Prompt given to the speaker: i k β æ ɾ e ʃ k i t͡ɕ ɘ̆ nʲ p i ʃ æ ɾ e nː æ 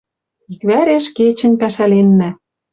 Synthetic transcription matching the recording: i k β æ ɾ e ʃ k e t͡ɕ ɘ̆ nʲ p æ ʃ æ l e nː æ